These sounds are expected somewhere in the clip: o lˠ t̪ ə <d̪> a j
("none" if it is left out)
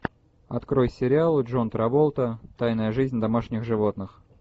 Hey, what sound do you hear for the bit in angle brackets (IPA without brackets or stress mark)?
t̪